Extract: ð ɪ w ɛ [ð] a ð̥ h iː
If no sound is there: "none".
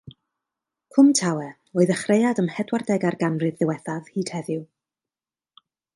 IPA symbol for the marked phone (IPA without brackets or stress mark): θ